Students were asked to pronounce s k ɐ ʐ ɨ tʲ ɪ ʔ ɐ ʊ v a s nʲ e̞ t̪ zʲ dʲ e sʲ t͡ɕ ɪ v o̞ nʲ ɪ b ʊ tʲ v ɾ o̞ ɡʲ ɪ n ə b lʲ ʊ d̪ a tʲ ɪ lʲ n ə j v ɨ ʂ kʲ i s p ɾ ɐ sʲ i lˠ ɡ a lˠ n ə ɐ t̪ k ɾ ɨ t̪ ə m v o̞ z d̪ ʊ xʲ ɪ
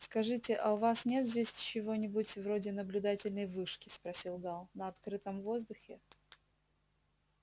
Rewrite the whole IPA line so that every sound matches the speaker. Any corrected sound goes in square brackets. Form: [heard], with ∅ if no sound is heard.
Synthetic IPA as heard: s k ɐ ʐ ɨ tʲ ɪ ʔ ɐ ʊ v a s nʲ e̞ t̪ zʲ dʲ e sʲ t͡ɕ ɪ v o̞ nʲ ɪ b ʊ tʲ v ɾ o̞ [dʲ] ɪ n ə b lʲ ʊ d̪ a tʲ ɪ lʲ n ə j v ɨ ʂ kʲ [ɪ] s p ɾ ɐ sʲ i lˠ ɡ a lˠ n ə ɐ t̪ k ɾ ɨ t̪ ə m v o̞ z d̪ ʊ xʲ ɪ